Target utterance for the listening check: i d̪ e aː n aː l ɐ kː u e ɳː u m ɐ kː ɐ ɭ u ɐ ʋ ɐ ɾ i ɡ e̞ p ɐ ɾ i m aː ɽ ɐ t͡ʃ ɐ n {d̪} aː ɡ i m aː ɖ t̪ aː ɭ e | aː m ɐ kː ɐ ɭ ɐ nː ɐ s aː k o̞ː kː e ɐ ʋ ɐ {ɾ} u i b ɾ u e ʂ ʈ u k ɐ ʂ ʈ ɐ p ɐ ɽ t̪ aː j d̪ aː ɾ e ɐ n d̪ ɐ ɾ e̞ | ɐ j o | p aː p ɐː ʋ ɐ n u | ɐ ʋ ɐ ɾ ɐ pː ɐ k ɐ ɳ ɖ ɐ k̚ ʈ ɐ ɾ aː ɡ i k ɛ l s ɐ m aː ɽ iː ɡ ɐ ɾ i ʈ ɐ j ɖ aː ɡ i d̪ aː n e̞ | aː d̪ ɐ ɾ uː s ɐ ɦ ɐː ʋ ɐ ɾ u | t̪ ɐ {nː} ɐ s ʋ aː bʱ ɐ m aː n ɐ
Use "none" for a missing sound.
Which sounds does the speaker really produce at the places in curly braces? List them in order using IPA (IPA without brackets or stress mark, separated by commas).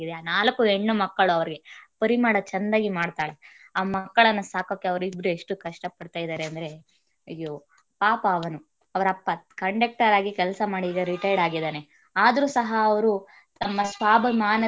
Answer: d̪, ɾ, mː